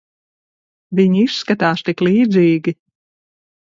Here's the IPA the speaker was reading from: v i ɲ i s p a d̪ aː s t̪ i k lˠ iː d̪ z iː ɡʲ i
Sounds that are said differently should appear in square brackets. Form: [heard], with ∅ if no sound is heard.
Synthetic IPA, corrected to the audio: v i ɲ i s [k] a [t̪] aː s t̪ i k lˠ iː d̪ z iː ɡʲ i